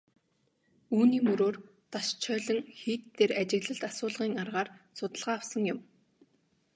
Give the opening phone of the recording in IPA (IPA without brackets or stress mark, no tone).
uː